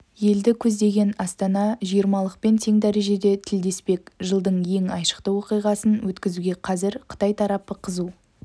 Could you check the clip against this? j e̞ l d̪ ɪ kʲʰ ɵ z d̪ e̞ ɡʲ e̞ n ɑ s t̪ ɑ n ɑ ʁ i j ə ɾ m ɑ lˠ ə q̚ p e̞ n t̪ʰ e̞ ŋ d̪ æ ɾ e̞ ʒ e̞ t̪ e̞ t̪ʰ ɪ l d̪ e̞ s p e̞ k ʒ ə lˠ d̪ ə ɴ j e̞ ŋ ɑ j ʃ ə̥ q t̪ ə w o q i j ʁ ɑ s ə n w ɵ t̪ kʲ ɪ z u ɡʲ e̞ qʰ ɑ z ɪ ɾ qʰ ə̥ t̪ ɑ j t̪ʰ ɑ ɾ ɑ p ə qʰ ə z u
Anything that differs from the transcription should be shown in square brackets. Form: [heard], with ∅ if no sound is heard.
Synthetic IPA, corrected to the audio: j e̞ l d̪ ɪ kʲʰ ɵ z d̪ e̞ ɡʲ e̞ n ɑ s t̪ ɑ n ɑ [ʒ] i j ə ɾ m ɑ lˠ ə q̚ p e̞ n t̪ʰ e̞ ŋ d̪ æ ɾ e̞ ʒ e̞ [d̪] e̞ t̪ʰ ɪ l d̪ e̞ s p e̞ k ʒ ə lˠ d̪ ə ɴ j e̞ ŋ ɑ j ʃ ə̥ q t̪ ə w o q i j ʁ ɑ s ə n w ɵ t̪ kʲ ɪ z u ɡʲ e̞ qʰ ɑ z ɪ ɾ qʰ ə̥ t̪ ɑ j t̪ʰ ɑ ɾ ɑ p ə qʰ ə z u